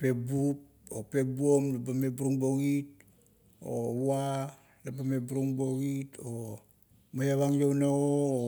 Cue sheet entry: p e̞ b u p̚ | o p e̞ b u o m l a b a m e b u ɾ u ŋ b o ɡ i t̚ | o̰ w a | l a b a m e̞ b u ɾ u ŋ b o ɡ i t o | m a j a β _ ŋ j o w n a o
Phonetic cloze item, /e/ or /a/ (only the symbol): a